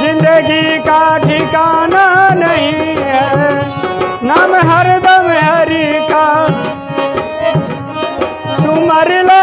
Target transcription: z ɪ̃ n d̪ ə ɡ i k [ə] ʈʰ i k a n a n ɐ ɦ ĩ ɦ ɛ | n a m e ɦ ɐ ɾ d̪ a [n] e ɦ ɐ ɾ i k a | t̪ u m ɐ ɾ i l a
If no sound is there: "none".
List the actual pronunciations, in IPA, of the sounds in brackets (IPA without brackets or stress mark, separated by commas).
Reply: a, m